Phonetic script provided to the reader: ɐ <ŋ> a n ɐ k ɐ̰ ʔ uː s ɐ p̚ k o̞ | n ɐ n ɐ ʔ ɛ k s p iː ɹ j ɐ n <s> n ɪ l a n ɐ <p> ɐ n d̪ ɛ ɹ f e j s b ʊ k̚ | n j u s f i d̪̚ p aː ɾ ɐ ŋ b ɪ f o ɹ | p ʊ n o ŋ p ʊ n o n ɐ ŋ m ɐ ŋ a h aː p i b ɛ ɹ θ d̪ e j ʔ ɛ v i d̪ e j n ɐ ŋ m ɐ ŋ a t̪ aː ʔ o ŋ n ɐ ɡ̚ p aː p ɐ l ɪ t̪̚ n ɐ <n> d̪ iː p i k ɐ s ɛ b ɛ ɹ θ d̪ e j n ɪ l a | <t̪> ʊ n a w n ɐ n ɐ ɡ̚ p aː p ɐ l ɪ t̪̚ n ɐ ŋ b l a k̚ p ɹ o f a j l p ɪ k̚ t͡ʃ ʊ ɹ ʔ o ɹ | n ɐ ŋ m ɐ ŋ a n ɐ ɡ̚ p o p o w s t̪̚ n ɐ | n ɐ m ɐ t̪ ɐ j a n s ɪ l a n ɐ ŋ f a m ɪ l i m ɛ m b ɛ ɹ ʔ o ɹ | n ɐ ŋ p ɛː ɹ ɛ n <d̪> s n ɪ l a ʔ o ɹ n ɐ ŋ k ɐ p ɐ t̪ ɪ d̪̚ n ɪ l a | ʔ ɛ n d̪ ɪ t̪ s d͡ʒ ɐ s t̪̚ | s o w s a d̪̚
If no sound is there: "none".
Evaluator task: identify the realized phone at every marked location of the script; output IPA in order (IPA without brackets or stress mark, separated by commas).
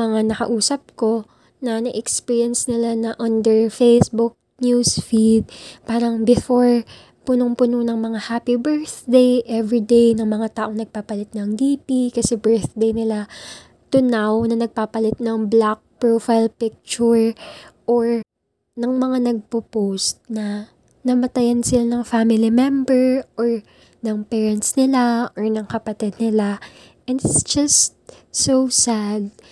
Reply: ŋ, s, ʔ, ŋ, t̪, t̪